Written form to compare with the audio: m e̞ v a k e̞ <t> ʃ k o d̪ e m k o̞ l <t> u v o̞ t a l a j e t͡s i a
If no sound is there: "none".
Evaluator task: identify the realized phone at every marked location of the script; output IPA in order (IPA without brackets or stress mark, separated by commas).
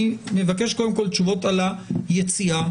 none, t͡ʃ